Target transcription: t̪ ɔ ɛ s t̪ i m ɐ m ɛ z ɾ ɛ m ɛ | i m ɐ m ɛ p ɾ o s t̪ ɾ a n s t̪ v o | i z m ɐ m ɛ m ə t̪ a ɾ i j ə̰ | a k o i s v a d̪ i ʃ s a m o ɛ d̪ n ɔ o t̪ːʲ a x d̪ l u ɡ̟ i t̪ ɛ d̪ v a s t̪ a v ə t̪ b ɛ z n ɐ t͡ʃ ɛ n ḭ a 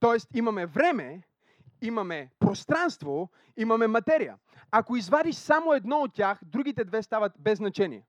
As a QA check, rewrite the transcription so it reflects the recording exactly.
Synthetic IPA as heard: t̪ ɔ ɛ s t̪ i m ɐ m ɛ v ɾ ɛ m ɛ | i m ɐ m ɛ p ɾ o s t̪ ɾ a n s t̪ v o | i m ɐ m ɛ m ɐ t̪ ɛ ɾ i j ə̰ | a k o i z v a d̪ i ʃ s a m o ɛ d̪ n ɔ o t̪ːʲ a x d̪ ɾ u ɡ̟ i t̪ ɛ d̪ v ɛ s t̪ a v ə t̪ b ɛ z n ɐ t͡ʃ ɛ n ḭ ɛ